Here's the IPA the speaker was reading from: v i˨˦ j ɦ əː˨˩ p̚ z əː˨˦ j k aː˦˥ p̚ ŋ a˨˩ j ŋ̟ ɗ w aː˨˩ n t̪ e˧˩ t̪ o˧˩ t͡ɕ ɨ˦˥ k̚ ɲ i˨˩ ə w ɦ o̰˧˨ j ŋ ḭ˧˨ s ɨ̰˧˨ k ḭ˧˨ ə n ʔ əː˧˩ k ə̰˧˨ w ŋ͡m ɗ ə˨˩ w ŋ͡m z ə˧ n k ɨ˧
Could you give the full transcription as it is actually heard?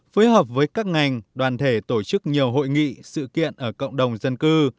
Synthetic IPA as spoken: f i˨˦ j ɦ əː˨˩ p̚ v əː˨˦ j k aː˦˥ k̚ ŋ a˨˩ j ŋ̟ ɗ w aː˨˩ n t̪ʰ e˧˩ t̪ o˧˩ t͡ɕ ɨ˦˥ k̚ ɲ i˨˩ ə w ɦ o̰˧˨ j ŋ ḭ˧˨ s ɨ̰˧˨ k ḭ˧˨ ə n ʔ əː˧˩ k ə̰˧˨ w ŋ͡m ɗ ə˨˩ w ŋ͡m z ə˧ n k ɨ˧